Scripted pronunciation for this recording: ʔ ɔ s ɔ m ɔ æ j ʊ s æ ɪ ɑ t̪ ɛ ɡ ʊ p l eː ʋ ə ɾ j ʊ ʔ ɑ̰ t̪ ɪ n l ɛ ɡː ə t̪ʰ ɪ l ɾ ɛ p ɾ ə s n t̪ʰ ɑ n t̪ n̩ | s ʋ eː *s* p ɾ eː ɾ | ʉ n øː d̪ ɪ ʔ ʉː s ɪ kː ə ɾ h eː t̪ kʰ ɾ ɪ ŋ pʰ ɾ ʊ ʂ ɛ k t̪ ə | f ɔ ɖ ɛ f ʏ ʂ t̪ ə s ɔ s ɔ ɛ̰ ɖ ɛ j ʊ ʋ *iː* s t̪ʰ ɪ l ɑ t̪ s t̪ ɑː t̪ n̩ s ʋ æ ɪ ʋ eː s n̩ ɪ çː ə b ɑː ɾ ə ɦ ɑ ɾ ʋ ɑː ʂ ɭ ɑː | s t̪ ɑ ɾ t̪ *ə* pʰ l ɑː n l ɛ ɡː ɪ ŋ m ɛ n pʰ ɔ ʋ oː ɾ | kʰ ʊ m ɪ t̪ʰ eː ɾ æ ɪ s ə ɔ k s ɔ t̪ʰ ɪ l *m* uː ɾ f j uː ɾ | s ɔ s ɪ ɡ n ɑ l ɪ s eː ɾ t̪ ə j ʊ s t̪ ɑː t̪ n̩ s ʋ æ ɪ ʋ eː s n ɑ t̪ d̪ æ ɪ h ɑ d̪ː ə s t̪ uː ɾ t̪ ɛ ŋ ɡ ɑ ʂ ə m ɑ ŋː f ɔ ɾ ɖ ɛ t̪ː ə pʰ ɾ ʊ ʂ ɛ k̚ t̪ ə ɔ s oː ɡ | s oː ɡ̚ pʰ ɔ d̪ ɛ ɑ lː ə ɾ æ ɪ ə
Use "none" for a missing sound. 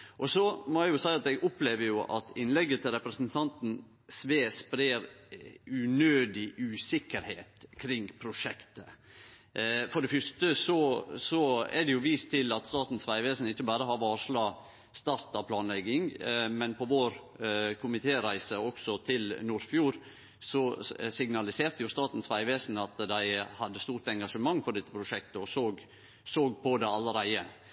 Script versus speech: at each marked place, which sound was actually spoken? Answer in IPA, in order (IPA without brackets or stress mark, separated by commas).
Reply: s, iː, ɑ, n